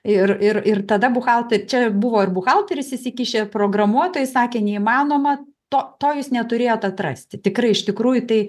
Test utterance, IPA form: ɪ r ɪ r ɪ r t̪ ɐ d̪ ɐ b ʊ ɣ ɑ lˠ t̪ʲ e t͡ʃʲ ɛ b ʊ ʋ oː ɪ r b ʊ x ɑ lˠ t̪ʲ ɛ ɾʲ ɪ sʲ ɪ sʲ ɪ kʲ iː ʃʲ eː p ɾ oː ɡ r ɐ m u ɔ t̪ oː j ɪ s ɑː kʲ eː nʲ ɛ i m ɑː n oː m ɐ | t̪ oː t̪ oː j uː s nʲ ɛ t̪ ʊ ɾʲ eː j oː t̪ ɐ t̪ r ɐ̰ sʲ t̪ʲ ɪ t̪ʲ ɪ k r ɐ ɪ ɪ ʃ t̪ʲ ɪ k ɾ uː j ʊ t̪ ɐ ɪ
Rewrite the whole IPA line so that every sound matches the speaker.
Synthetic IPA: ɪ r ɪ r ɪ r t̪ ɐ d̪ ɐ b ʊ x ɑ lˠ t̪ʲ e t͡ʃʲ ɛ b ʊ ʋ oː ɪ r b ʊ x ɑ lˠ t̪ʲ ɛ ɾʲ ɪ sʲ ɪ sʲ ɪ kʲ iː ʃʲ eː p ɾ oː ɡ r ɐ m u ɔ t̪ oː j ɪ s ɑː kʲ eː nʲ ɛ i m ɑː n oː m ɐ | t̪ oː t̪ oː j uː s nʲ ɛ t̪ ʊ ɾʲ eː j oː t̪ ɐ t̪ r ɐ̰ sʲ t̪ʲ ɪ t̪ʲ ɪ k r ɐ ɪ ɪ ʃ t̪ʲ ɪ k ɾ uː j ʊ t̪ ɐ ɪ